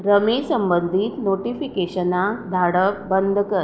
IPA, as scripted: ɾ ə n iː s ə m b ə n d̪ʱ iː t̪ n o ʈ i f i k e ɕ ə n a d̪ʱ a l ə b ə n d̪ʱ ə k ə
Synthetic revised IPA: ɾ ə m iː s ə m b ə n d̪ʱ iː t̪ n o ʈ i f i k e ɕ ə n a d̪ʱ a ɽ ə b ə n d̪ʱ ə k ə